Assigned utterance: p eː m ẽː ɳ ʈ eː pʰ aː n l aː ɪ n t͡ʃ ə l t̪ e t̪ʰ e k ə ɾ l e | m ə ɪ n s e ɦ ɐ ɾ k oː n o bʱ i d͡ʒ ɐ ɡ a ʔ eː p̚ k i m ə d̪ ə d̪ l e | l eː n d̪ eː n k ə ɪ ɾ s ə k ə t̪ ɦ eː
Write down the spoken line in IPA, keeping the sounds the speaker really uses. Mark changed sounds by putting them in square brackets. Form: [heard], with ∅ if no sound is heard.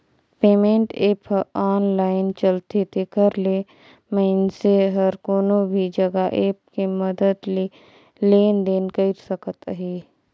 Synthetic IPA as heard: p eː m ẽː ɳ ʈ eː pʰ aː n l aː ɪ n t͡ʃ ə l t̪ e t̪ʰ e k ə ɾ l e | m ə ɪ n s e ɦ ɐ ɾ k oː n o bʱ i d͡ʒ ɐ ɡ a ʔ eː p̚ k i m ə d̪ ə d̪ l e | l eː n d̪ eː n k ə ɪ ɾ s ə k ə t̪ ɦ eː